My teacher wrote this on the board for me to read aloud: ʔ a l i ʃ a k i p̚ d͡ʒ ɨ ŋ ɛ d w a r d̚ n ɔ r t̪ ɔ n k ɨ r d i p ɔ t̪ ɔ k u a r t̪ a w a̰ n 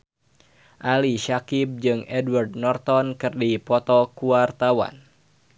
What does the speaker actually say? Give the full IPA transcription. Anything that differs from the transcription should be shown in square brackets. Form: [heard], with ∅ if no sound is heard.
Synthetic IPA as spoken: ʔ a l i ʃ a k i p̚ d͡ʒ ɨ ŋ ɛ d w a r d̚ n ɔ r t̪ ɔ n k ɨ r d i p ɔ t̪ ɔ k u a r t̪ a w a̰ n